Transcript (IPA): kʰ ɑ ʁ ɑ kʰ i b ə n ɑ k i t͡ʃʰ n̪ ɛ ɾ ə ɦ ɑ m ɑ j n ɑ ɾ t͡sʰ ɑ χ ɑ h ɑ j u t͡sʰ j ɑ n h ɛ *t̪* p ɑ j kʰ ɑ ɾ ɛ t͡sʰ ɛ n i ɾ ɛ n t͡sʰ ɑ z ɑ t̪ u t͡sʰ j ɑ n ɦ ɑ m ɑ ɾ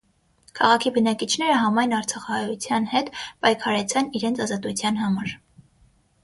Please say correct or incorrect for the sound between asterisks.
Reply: correct